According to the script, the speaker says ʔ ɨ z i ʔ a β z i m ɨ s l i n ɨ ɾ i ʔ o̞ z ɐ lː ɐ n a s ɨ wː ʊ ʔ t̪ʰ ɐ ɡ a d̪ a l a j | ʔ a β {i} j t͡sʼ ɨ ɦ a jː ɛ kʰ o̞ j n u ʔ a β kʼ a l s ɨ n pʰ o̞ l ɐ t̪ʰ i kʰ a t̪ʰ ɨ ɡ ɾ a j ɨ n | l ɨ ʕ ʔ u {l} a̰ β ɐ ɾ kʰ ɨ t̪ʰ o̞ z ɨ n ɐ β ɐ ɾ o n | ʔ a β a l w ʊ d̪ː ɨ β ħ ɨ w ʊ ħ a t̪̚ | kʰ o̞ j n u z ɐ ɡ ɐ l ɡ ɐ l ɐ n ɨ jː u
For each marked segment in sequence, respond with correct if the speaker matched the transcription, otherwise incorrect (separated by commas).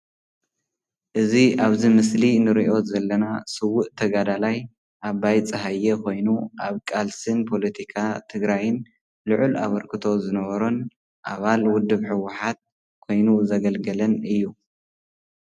incorrect, correct